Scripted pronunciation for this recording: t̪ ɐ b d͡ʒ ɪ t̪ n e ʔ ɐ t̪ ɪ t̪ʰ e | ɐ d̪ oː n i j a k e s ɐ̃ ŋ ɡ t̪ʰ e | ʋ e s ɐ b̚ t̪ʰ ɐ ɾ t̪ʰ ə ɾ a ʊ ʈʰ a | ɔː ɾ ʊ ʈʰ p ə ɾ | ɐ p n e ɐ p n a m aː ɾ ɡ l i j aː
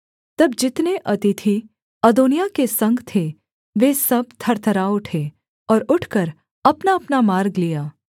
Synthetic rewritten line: t̪ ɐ b d͡ʒ ɪ t̪ n e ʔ ɐ t̪ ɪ t̪ʰ i | ɐ d̪ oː n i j a k e s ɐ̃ ŋ ɡ t̪ʰ e | ʋ e s ɐ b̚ t̪ʰ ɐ ɾ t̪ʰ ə ɾ a ʊ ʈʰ e | ɔː ɾ ʊ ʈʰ k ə ɾ | ɐ p n a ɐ p n a m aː ɾ ɡ l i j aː